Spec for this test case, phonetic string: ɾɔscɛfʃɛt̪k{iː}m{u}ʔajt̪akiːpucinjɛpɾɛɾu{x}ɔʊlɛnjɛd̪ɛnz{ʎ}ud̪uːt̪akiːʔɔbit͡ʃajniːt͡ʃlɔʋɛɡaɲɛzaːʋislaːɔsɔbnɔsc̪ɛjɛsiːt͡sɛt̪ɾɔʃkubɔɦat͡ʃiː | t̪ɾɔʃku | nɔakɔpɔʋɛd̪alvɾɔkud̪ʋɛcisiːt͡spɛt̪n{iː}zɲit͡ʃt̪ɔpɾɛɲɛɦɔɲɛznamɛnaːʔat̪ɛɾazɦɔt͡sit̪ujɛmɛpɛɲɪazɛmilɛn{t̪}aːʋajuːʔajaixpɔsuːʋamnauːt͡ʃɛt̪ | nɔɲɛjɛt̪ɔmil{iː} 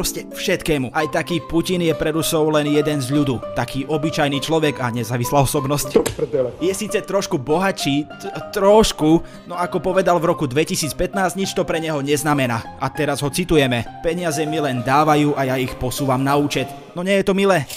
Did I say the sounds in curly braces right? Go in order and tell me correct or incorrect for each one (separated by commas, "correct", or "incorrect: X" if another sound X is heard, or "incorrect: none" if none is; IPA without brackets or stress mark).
incorrect: ɛː, correct, incorrect: s, correct, incorrect: aː, incorrect: d̪, incorrect: ɛː